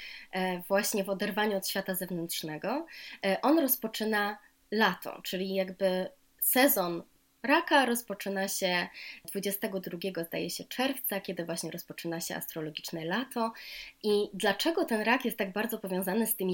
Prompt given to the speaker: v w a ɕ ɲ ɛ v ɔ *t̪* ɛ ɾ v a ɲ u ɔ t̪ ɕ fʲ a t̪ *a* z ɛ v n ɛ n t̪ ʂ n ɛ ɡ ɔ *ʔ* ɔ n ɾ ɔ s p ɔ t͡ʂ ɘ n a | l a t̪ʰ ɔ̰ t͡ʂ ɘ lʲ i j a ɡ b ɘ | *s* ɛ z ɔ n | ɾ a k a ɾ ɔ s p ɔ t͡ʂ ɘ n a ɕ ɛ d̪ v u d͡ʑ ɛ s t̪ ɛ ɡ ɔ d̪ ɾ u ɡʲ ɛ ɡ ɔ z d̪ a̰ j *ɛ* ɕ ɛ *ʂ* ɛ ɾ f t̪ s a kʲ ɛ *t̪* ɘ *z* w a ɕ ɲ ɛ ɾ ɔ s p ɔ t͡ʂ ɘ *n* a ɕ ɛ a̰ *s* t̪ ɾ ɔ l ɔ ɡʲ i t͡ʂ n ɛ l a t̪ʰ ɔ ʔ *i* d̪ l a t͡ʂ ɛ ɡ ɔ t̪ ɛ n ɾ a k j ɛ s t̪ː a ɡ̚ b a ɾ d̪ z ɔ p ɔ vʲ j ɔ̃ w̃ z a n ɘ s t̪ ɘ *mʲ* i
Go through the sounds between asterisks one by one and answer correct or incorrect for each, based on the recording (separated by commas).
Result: incorrect, correct, correct, correct, correct, incorrect, incorrect, incorrect, correct, correct, correct, correct